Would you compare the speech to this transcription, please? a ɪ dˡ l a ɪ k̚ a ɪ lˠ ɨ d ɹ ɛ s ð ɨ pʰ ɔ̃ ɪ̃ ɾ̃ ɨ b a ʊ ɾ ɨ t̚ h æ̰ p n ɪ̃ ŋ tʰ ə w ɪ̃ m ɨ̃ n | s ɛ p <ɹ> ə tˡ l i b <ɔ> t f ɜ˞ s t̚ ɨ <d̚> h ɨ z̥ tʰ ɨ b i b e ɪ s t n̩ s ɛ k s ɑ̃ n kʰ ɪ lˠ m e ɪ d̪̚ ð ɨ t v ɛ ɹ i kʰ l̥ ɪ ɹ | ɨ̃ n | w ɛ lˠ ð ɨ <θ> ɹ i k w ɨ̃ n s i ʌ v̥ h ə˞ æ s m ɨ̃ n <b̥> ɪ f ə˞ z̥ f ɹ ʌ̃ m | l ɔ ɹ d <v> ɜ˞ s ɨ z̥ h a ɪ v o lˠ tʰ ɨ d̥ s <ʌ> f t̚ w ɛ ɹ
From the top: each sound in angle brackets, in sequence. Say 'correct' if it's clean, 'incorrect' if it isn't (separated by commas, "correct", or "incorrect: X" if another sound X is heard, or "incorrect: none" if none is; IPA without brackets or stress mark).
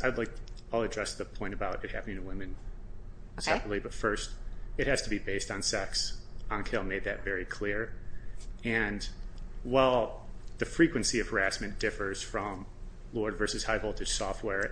correct, incorrect: ʌ, incorrect: t̚, incorrect: f, incorrect: d̥, correct, incorrect: ɔ